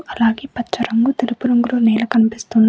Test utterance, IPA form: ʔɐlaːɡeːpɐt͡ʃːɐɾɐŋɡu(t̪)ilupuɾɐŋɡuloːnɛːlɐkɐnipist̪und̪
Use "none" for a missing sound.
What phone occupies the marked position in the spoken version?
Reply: t̪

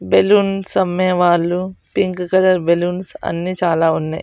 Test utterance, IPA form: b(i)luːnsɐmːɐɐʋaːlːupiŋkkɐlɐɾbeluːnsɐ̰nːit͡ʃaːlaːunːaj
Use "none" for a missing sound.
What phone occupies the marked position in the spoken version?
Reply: e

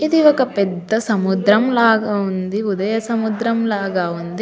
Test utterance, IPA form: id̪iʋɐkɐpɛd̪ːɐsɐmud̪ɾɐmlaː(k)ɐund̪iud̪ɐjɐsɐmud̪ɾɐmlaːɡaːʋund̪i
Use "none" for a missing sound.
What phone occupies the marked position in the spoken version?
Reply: ɡ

